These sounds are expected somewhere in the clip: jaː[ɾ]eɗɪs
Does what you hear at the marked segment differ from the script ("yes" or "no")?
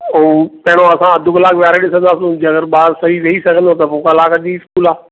no